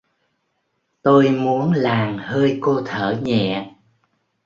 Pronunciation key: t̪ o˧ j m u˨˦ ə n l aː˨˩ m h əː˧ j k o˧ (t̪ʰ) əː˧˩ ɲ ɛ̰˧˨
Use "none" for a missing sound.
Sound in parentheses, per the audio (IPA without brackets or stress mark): t̪ʰ